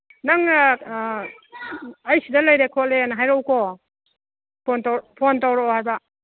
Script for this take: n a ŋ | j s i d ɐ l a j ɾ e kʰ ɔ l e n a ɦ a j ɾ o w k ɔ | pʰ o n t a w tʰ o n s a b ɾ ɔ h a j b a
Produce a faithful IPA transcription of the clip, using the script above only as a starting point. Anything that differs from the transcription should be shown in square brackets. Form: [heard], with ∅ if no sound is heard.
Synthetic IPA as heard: n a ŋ | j s i d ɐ l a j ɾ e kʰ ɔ l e n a ɦ a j ɾ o w k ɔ | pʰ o n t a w [pʰ] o n [t] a [w] ɾ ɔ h a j b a